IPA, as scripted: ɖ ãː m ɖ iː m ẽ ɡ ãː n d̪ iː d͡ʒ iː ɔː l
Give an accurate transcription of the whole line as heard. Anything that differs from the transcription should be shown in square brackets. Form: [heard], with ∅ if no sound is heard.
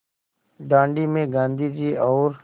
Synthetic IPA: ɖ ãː [ɳ] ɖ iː m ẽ ɡ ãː n d̪ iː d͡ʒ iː ɔː [ɾ]

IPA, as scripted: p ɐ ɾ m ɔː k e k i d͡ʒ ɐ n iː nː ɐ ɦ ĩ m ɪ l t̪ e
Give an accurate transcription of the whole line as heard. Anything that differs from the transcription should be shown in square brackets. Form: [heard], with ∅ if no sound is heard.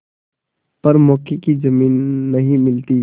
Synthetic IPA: p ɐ ɾ m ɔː k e k i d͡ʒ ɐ [m] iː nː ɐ ɦ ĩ m ɪ l t̪ [i]

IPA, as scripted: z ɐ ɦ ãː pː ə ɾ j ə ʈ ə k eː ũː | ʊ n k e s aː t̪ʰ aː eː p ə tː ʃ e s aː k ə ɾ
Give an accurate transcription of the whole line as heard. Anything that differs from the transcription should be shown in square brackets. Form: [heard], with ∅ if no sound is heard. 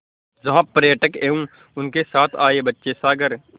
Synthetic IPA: z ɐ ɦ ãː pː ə ɾ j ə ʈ ə k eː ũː | ʊ n k e s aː t̪ʰ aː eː [b] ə tː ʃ e s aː [ɡ] ə ɾ

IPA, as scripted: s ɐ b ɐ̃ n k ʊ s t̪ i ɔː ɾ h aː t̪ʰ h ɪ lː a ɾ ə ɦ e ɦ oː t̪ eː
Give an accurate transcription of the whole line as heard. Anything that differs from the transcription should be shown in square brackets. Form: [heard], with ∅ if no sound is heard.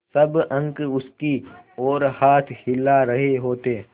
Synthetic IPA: s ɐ b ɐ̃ [ŋ] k ʊ s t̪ i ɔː ɾ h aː t̪ʰ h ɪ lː a ɾ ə ɦ e ɦ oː t̪ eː

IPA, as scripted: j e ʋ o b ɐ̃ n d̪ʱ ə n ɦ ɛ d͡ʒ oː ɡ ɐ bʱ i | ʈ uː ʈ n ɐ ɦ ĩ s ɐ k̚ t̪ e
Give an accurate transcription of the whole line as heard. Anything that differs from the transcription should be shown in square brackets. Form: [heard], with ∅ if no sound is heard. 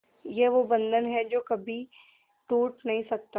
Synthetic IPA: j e ʋ o b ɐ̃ n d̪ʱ ə n ɦ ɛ d͡ʒ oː [k] ɐ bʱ i | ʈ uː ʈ n ɐ ɦ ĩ s ɐ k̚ t̪ [a]

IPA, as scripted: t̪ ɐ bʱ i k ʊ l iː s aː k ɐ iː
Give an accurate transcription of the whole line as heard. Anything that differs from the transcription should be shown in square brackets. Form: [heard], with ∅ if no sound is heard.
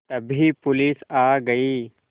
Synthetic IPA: t̪ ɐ bʱ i [p] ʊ l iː s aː [ɡ] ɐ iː

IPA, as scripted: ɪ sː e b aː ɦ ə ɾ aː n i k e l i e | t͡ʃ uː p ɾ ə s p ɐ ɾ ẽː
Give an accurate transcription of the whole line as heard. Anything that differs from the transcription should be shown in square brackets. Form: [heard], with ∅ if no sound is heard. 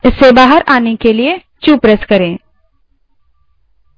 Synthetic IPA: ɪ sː e b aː ɦ ə ɾ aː n [e] k e l i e | t͡ʃ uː p ɾ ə s [k] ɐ ɾ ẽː

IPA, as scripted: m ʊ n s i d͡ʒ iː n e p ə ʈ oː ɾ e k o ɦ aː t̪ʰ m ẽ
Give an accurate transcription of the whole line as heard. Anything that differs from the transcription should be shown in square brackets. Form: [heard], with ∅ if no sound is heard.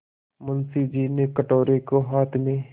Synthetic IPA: m ʊ n s i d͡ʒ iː n e [k] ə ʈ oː ɾ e k o ɦ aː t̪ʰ m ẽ

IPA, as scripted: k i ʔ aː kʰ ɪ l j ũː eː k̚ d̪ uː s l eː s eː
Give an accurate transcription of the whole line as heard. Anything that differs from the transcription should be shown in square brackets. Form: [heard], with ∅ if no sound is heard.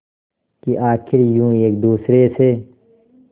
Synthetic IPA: k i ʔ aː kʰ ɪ [ɾ] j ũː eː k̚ d̪ uː s [ɾ] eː s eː

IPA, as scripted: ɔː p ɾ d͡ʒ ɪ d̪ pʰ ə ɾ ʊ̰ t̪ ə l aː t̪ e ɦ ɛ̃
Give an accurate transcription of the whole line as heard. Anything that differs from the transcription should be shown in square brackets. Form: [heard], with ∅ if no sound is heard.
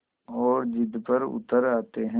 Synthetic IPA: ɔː [∅] ɾ d͡ʒ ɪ d̪ [p] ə ɾ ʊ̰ t̪ ə [ɾ] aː t̪ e ɦ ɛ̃

